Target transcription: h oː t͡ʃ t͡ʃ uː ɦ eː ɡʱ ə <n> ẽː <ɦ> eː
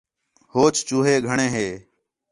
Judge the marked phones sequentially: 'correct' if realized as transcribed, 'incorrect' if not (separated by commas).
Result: incorrect, correct